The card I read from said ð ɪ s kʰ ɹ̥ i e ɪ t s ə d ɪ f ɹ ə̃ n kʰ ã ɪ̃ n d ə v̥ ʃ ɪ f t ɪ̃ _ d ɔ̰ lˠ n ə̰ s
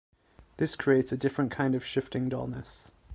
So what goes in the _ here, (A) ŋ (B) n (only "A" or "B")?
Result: A